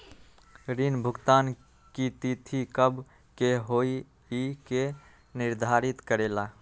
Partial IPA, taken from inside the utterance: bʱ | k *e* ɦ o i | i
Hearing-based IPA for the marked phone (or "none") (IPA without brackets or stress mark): e